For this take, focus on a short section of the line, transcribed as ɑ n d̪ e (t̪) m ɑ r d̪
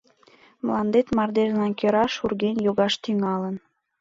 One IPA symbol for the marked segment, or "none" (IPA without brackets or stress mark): t̪